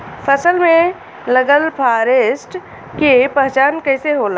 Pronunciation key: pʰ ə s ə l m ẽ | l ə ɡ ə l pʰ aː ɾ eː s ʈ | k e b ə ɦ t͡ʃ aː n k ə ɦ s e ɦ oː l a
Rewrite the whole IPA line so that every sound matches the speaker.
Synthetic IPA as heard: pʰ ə s ə l m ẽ | l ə ɡ ə l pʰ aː ɾ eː s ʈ | k e p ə ɦ t͡ʃ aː n k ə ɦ s e ɦ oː l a